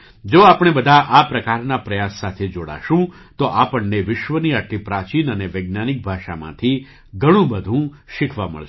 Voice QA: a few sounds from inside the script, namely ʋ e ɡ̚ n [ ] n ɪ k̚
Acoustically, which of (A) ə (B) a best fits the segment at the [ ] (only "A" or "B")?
B